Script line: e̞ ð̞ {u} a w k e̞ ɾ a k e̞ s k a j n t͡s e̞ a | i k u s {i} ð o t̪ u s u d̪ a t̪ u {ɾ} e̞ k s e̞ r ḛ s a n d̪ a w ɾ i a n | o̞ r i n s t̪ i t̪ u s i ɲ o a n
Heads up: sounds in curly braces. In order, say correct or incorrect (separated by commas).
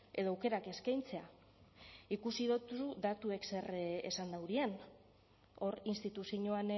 incorrect, correct, incorrect